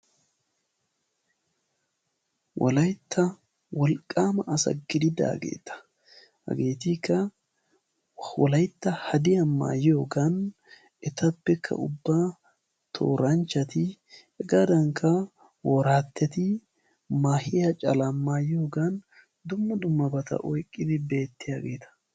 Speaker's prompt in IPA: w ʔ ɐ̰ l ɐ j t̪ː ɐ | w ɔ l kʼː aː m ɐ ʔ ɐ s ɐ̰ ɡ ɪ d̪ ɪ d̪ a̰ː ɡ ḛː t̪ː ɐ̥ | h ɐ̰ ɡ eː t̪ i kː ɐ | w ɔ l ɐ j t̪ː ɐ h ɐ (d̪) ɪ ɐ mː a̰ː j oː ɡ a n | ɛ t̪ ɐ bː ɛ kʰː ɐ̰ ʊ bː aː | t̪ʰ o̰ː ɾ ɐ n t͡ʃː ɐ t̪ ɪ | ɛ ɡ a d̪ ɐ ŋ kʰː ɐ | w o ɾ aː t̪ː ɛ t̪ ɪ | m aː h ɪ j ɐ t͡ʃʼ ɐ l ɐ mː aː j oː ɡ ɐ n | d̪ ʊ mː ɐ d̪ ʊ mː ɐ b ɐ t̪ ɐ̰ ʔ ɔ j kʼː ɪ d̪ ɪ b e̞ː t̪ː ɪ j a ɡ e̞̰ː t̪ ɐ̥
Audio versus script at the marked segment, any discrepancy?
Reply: no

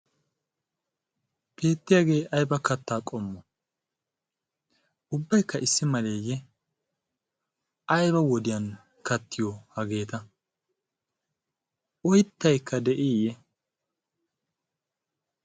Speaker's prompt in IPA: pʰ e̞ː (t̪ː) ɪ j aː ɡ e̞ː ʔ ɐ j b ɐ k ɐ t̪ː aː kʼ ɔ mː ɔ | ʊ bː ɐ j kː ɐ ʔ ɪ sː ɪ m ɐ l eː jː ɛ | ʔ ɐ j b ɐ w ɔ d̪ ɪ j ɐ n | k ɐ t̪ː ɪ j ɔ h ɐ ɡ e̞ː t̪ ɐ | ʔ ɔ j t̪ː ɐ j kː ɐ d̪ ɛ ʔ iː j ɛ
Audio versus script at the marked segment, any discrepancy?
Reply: no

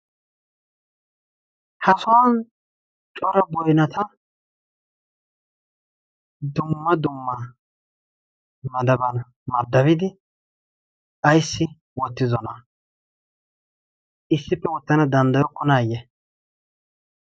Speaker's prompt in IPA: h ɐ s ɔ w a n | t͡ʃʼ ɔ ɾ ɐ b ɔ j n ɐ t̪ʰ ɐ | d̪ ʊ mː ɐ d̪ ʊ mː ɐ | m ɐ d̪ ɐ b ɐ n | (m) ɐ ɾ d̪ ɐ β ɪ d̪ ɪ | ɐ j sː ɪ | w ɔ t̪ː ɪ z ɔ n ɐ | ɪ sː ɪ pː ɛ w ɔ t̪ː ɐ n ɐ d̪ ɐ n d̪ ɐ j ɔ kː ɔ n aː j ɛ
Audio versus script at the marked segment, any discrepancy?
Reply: no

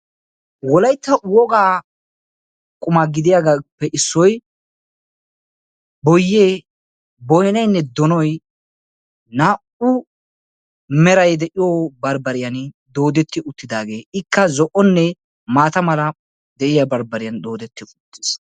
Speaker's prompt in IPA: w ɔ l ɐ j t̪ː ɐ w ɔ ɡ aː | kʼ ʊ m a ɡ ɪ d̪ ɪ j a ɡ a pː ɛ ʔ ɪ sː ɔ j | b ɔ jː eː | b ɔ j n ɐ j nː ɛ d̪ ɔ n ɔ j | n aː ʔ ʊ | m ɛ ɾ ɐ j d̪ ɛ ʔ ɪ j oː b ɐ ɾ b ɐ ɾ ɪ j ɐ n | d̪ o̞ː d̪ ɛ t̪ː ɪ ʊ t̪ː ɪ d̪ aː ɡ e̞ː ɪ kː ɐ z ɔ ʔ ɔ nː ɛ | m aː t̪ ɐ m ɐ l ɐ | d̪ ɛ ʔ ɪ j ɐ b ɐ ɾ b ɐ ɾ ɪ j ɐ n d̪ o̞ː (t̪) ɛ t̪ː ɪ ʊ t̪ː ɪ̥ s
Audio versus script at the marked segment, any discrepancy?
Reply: yes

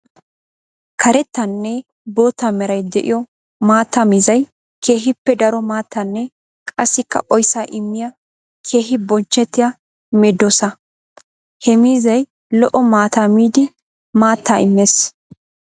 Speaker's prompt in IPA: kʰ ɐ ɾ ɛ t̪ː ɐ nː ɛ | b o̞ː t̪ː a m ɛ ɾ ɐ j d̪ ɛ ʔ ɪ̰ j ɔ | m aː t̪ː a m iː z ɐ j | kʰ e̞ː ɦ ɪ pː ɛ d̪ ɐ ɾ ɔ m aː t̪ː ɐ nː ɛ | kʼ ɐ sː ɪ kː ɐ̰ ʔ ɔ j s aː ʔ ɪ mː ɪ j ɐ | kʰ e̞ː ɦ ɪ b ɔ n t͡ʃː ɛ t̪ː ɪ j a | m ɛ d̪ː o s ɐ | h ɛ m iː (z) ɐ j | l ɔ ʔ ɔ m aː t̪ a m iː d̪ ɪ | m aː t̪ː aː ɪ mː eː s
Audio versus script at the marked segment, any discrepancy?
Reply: no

